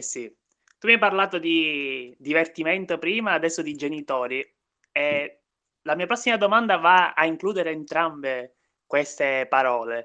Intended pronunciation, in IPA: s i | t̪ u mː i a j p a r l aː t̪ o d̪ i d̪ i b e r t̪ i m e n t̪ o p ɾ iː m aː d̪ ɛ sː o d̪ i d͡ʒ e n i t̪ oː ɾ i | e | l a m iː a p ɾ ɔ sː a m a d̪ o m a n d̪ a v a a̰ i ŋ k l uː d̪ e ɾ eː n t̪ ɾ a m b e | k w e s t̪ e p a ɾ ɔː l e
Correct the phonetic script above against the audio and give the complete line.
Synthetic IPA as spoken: s i | t̪ u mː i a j p a r l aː t̪ o d̪ i d̪ i v e r t̪ i m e n t̪ o p ɾ iː m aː d̪ ɛ sː o d̪ i d͡ʒ e n i t̪ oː ɾ i | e | l a m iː a p ɾ ɔ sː i m a d̪ o m a n d̪ a v a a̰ i ŋ k l uː d̪ e ɾ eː n t̪ ɾ a m b e | k w e s t̪ e p a ɾ ɔː l e